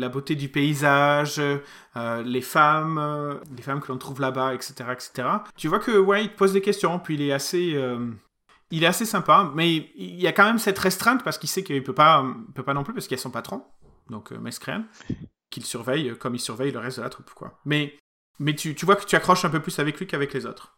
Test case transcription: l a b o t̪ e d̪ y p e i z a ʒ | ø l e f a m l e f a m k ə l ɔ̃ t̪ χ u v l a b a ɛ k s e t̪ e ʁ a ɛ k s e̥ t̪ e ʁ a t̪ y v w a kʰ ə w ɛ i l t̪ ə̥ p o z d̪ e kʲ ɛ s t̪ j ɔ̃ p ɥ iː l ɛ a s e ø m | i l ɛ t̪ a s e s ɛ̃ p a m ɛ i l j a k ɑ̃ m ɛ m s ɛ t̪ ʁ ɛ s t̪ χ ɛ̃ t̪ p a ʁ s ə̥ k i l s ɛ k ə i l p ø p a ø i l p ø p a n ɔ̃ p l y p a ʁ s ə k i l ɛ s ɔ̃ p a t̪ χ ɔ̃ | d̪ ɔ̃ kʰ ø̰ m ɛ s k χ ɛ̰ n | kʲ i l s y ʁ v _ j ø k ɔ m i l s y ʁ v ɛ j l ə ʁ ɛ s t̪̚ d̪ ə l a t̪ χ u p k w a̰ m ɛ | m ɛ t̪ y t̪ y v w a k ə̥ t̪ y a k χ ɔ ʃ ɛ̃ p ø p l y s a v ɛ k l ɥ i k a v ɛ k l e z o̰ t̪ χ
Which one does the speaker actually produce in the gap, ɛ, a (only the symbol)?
ɛ